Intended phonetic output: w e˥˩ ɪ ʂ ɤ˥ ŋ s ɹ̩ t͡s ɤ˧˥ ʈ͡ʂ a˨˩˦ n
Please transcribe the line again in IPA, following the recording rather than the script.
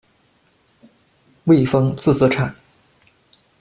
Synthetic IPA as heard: w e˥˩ ɪ f ɤ˥ ŋ t͡s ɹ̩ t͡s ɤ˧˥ ʈ͡ʂʰ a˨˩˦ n

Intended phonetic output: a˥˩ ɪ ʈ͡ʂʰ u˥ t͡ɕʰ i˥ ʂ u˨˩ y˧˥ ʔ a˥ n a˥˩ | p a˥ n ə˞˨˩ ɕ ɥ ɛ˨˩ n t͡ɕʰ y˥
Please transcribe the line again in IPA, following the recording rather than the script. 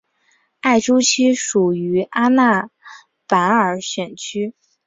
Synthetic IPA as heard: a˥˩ ɪ ʈ͡ʂ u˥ t͡ɕʰ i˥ ʂ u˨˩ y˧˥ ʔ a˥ n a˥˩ | p a˧˥ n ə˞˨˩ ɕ ɥ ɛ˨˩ n t͡ɕʰ y˥

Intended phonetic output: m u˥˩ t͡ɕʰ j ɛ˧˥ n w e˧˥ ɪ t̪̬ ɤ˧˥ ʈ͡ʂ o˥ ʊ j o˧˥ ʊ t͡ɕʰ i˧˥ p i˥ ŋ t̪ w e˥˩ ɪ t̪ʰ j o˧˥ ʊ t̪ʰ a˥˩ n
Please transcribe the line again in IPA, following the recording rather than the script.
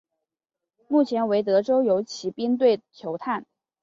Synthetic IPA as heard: m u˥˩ t͡ɕʰ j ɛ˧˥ n w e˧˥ ɪ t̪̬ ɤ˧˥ ʈ͡ʂ o˥ ʊ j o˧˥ ʊ t͡ɕʰ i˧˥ p i˥ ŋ t̪ w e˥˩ ɪ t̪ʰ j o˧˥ ʊ t̪ʰ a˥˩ n

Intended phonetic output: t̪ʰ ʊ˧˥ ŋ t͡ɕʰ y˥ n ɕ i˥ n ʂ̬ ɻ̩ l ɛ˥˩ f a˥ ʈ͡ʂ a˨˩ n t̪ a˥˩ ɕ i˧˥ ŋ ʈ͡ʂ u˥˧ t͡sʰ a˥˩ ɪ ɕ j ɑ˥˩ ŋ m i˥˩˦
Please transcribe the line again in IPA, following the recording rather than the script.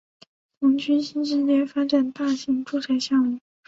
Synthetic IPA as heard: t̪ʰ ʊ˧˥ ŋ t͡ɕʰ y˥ n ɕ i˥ n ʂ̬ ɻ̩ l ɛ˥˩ f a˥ ʈ͡ʂ a˨˩ n t̪ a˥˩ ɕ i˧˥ ŋ ʈ͡ʂ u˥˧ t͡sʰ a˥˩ ɪ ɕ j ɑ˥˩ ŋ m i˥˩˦

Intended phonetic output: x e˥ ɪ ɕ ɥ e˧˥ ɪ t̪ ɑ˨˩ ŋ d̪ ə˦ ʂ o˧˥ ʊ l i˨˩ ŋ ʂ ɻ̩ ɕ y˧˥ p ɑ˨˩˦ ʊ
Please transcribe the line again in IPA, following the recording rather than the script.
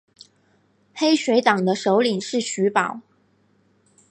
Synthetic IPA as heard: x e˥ ɪ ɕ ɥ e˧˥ ɪ t̪ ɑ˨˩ ŋ d̪ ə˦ ʂ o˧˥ ʊ l i˨˩ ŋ ʂ ɻ̩ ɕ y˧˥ p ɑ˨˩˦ ʊ

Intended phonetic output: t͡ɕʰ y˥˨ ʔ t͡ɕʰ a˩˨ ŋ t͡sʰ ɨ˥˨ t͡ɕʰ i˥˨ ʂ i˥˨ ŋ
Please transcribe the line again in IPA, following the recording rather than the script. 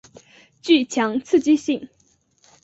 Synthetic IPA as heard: t͡ɕ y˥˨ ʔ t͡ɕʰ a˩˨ ŋ t͡sʰ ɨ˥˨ t͡ɕ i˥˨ ɕ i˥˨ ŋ

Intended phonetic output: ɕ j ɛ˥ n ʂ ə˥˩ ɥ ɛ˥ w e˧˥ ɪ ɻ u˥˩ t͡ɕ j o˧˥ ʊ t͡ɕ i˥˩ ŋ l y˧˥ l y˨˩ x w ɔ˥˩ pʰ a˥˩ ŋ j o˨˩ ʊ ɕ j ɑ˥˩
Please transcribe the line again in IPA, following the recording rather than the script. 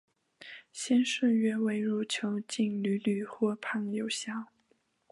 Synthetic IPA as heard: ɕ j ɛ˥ n ʂ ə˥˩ ɥ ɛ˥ w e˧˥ ɪ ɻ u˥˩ t͡ɕʰ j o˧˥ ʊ t͡ɕ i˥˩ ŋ l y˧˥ l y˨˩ x w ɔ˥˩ pʰ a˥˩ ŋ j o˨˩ ʊ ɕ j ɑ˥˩

